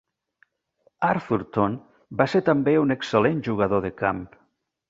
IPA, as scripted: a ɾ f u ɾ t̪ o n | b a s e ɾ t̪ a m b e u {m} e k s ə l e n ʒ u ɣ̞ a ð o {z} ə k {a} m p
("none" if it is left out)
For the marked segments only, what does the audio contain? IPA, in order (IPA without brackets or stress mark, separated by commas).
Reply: n, ð, a